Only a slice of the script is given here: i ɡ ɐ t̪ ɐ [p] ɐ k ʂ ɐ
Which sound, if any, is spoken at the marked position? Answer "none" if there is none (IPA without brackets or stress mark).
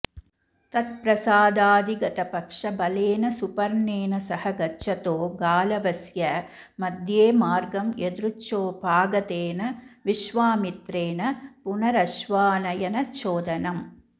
p